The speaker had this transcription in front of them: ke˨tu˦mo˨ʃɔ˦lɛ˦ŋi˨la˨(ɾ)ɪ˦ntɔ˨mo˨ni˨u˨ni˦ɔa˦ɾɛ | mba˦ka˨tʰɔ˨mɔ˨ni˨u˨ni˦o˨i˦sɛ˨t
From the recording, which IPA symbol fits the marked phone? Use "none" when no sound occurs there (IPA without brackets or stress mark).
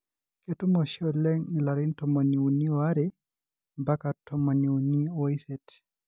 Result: ɾ